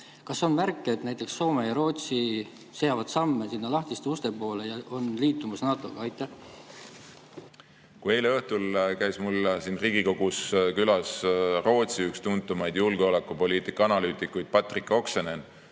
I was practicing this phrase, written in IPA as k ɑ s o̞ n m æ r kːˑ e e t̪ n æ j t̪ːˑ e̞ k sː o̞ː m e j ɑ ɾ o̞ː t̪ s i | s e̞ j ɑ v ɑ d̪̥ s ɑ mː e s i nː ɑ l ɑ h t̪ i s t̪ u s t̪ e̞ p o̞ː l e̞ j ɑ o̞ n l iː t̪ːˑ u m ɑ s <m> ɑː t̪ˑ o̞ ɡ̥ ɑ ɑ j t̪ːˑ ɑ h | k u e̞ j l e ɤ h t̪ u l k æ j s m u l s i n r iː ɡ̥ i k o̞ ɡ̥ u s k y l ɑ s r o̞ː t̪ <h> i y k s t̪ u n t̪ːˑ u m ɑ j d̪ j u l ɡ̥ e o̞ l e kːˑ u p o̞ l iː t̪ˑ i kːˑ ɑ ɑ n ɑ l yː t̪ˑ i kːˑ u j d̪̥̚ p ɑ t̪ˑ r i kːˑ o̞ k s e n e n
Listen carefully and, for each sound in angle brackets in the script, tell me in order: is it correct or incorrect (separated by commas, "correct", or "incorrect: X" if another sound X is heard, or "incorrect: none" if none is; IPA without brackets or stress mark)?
incorrect: n, incorrect: s